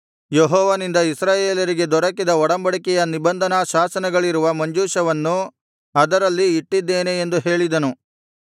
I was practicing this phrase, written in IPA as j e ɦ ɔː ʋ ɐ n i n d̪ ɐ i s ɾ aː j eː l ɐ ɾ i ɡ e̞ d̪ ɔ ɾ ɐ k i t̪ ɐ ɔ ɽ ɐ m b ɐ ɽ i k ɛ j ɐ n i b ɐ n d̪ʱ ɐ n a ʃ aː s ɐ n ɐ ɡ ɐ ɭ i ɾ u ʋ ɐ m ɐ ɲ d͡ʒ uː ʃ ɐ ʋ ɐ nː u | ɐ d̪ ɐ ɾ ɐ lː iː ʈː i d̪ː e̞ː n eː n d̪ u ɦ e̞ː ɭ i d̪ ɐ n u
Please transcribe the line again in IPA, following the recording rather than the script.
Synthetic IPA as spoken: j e ɦ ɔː ʋ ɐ n i n d̪ ɐ i s ɾ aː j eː l ɐ ɾ i ɡ e̞ d̪ ɔ ɾ ɐ k i d̪ ɐ ɔ ɽ ɐ m b ɐ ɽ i k ɛ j ɐ n i b ɐ n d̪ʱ ɐ n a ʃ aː s ɐ n ɐ ɡ ɐ ɭ i ɾ u ʋ ɐ m ɐ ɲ d͡ʒ uː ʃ ɐ ʋ ɐ nː u | ɐ d̪ ɐ ɾ ɐ lː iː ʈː i d̪ː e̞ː n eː n d̪ u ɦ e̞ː ɭ i d̪ ɐ n u